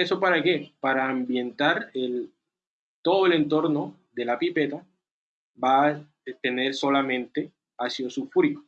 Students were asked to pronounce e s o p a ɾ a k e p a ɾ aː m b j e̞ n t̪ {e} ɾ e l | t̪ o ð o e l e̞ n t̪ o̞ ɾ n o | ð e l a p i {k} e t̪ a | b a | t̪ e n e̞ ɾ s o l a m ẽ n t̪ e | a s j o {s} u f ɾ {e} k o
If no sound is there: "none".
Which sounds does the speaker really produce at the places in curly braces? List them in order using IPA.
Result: a, p, s, i

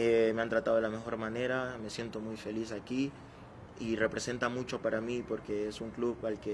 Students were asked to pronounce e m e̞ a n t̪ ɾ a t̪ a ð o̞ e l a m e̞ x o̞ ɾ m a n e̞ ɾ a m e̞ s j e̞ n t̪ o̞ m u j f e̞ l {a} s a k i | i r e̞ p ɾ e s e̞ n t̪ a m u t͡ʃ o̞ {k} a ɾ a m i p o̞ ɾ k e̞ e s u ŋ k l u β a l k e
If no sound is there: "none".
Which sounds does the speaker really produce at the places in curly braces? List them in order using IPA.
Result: i, p

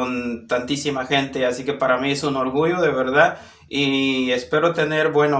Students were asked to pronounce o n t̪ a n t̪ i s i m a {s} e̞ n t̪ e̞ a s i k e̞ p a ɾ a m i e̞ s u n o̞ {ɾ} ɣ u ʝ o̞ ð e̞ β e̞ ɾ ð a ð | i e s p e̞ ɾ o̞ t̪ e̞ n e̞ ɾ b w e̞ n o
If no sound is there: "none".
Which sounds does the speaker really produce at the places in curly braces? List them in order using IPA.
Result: x, ɾ

